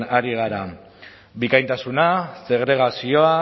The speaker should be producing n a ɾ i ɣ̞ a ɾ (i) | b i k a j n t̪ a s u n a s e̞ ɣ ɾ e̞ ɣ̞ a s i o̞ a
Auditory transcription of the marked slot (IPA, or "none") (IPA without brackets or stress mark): a